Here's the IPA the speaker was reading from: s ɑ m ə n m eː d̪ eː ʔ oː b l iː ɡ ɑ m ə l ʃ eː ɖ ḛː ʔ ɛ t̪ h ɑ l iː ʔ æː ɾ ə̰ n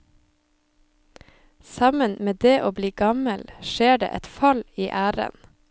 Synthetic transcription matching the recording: s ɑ m ə n m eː d̪ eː ʔ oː b l iː ɡ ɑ m ə l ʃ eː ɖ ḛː ʔ ɛ t̪ f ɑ l iː ʔ æː ɾ ə̰ n